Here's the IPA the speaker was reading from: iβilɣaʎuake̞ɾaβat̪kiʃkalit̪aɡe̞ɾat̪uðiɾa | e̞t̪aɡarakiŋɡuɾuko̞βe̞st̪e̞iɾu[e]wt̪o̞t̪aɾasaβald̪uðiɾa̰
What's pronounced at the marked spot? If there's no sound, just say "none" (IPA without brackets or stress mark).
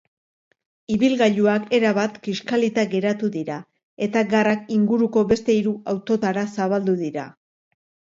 a